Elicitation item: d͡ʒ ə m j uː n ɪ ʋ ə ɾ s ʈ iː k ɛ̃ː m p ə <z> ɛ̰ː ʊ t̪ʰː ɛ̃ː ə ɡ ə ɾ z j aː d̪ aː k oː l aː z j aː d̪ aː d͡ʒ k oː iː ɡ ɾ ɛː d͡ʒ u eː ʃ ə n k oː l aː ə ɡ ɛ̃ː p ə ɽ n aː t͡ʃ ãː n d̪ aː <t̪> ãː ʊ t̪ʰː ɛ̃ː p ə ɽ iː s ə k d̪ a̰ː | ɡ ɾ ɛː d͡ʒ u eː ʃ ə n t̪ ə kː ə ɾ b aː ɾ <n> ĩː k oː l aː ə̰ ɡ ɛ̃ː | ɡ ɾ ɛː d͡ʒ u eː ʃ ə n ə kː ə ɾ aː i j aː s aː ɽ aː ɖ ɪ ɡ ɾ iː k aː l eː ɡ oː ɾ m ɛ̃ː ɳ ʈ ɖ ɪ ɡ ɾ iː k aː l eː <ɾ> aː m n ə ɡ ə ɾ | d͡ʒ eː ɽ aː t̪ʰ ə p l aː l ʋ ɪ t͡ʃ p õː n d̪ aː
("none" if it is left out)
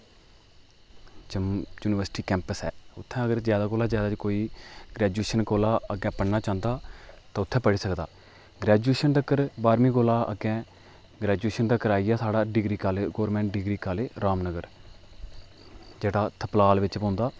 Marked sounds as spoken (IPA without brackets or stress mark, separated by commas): s, t̪, m, ɾ